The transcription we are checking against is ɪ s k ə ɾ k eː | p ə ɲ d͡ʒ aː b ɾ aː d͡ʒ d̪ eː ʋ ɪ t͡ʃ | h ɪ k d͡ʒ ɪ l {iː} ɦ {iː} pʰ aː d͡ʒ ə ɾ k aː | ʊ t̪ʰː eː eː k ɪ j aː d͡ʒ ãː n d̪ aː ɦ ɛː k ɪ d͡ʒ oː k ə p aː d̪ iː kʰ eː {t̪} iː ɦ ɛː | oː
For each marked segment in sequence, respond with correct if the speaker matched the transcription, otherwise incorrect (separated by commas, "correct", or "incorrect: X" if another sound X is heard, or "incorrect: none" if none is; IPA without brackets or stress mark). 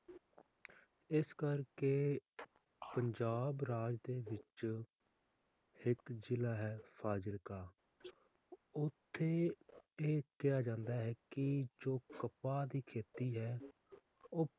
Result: incorrect: aː, incorrect: ɛː, correct